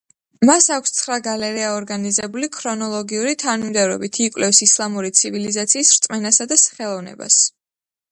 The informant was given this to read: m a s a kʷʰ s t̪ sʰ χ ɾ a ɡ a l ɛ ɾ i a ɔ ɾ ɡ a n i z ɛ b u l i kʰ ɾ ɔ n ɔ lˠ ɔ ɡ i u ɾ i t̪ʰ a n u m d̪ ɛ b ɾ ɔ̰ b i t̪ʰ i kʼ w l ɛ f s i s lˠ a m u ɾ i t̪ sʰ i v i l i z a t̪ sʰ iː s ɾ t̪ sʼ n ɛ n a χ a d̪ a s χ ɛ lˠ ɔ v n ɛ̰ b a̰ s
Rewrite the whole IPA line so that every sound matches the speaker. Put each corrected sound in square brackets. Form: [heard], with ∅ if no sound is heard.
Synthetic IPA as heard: m a s a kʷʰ s t̪ sʰ χ ɾ a ɡ a l ɛ ɾ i a ɔ ɾ ɡ a n i z ɛ b u l i kʰ ɾ ɔ n ɔ lˠ ɔ ɡ i u ɾ i t̪ʰ a n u m d̪ ɛ [v] ɾ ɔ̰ b i t̪ʰ i kʼ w l ɛ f s i s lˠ a m u ɾ i t̪ sʰ i v i l i z a t̪ sʰ iː s ɾ t̪ sʼ [m] ɛ n a [s] a d̪ a s χ ɛ lˠ ɔ v n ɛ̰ b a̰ s